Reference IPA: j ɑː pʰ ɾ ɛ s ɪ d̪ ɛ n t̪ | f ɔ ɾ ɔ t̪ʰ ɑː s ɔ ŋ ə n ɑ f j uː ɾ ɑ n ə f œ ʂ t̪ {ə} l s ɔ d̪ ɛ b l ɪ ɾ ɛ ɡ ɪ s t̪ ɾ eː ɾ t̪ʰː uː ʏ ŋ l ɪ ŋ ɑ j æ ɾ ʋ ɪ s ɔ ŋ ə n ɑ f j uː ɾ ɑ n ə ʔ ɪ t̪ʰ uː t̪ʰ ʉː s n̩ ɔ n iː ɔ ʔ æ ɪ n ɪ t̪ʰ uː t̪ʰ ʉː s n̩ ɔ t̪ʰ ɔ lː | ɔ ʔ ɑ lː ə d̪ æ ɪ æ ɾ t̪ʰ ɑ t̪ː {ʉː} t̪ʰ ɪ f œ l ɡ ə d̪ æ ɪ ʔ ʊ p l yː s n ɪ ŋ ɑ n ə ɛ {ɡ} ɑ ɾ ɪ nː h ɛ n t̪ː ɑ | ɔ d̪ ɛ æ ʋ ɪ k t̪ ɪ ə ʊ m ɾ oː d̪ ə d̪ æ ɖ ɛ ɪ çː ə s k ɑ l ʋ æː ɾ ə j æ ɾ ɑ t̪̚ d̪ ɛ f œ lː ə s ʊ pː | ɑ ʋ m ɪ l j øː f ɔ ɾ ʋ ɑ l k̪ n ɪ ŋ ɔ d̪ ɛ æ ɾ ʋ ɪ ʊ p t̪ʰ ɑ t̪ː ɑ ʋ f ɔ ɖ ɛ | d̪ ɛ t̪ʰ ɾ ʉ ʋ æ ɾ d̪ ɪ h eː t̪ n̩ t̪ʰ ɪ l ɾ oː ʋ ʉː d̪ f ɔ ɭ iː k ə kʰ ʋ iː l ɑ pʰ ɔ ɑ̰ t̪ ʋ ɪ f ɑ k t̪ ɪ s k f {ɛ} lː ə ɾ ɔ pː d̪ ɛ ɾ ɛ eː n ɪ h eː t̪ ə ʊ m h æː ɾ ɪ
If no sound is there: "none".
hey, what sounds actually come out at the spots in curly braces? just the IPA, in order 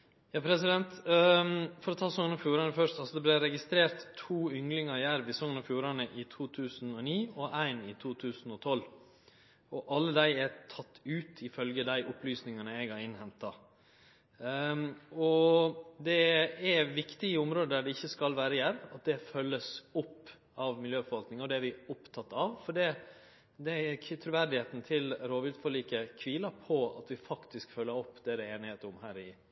ɑ, ʉː, ɡ, œ

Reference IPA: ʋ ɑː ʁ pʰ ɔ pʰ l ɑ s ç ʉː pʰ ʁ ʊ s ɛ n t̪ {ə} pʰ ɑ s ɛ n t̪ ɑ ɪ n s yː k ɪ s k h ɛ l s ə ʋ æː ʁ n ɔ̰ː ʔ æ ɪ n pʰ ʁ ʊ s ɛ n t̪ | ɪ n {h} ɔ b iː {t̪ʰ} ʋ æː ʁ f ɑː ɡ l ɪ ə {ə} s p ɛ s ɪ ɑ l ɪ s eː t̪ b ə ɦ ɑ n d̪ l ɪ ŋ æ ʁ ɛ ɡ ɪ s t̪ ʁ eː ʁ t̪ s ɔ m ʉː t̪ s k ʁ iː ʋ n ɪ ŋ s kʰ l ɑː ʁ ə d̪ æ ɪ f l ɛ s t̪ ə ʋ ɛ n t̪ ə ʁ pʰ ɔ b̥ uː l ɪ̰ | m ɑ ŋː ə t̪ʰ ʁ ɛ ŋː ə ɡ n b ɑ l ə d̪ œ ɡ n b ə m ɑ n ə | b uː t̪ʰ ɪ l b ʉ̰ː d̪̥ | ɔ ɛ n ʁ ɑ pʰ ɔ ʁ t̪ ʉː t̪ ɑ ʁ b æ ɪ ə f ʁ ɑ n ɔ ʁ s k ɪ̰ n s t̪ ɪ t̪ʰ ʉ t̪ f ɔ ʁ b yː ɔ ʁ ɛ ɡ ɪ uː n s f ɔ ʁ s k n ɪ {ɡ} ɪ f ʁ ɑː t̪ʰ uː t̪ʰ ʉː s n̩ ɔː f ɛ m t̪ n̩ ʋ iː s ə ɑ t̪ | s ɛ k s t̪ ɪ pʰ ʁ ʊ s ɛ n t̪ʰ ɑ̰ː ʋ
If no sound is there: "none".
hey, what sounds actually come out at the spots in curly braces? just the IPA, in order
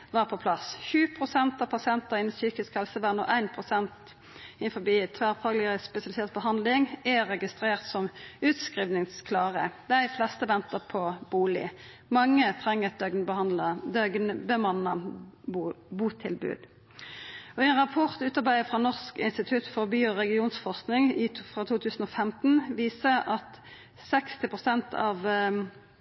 ɑ, f, t̪ʰ, ə, ŋ

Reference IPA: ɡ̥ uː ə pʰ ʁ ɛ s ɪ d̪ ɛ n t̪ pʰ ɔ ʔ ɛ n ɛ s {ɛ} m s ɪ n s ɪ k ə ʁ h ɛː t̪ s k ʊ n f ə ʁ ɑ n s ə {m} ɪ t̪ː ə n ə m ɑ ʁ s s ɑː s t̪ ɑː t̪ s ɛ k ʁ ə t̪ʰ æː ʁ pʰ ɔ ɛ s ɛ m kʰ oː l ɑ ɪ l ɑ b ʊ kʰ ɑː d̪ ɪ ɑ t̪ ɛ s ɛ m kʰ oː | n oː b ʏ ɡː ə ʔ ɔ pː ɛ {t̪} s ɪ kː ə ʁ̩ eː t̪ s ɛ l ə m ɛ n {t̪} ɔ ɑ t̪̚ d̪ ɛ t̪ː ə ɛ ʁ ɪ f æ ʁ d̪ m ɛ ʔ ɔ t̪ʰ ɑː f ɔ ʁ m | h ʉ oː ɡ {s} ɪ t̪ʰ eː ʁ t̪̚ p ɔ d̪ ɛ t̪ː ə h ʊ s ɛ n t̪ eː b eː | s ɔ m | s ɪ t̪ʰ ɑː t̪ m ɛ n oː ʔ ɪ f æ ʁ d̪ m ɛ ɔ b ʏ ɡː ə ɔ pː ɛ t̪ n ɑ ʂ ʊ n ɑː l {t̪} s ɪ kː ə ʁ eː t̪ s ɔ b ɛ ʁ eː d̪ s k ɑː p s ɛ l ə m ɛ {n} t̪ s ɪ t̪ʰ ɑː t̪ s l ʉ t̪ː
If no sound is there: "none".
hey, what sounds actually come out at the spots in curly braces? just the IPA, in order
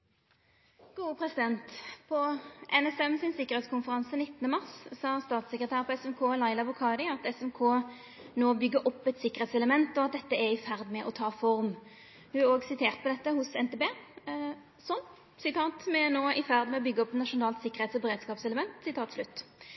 ɛ, n, t̪, t̪, s, t̪, n

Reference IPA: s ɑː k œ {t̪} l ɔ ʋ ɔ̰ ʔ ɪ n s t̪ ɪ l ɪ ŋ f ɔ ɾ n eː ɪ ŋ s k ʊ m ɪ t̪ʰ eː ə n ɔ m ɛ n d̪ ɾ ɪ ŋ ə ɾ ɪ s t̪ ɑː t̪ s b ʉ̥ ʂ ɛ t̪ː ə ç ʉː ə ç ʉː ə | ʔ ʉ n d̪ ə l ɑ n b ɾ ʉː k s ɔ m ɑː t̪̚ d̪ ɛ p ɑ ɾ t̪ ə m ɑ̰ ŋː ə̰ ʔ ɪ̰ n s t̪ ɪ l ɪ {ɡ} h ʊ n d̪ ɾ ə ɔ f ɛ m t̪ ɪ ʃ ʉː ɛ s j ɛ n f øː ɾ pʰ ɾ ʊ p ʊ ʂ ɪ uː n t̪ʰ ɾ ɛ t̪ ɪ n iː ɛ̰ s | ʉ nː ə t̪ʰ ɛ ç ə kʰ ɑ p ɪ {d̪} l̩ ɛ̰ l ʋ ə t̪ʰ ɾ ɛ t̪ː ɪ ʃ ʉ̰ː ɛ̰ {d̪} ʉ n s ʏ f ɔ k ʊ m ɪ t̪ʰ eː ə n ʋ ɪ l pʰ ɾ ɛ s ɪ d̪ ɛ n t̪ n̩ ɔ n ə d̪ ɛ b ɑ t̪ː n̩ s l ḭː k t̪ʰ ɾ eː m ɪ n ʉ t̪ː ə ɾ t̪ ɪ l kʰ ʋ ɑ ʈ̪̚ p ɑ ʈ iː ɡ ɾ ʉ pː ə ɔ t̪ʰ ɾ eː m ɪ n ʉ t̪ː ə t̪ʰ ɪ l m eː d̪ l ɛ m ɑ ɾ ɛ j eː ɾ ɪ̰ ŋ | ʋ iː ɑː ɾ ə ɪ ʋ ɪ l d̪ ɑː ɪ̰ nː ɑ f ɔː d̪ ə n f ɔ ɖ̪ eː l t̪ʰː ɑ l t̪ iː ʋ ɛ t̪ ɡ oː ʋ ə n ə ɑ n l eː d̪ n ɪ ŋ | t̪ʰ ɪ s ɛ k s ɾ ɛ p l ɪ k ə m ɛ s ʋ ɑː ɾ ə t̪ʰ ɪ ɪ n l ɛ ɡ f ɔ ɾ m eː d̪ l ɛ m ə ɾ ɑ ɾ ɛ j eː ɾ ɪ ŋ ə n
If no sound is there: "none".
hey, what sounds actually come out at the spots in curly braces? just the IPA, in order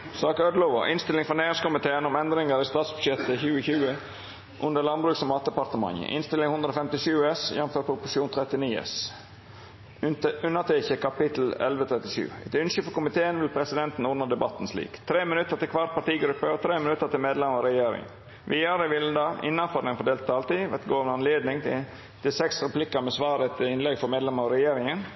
d̪, ŋ, t̪, t̪

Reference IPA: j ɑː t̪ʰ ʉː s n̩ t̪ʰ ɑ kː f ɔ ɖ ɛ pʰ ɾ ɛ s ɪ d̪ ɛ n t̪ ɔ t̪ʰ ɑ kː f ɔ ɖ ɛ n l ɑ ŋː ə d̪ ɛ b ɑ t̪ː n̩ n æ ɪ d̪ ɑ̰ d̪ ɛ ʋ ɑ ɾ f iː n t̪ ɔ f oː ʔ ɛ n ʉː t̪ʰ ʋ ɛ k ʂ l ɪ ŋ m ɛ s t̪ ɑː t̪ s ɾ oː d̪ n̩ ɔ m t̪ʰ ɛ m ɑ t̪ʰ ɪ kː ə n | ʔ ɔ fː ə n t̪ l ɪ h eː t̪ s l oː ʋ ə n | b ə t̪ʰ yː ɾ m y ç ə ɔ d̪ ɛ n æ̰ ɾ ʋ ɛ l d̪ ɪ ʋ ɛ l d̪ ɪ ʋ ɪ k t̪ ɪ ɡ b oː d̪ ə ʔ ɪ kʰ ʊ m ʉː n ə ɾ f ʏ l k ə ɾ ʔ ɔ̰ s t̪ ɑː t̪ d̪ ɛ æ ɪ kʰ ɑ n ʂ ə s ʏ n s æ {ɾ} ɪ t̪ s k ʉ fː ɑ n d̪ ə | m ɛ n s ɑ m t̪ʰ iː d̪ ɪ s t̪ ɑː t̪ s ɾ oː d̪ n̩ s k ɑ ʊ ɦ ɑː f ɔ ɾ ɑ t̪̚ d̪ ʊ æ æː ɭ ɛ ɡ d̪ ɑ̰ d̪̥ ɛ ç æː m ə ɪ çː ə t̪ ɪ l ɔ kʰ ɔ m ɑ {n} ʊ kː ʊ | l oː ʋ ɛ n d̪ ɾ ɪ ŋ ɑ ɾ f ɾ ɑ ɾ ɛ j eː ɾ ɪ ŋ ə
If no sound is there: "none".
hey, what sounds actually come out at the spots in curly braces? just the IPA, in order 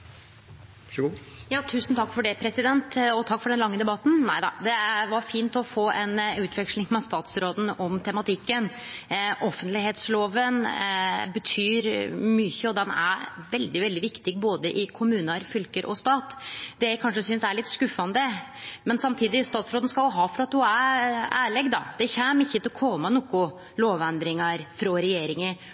ɭ, n

